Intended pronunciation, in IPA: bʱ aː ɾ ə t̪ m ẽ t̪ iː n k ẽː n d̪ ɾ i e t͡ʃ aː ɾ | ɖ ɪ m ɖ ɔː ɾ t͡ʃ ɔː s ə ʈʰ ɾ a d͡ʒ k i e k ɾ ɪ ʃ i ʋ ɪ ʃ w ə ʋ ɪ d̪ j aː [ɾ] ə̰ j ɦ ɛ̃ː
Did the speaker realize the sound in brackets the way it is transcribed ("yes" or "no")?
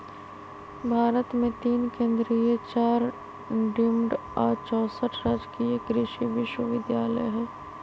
no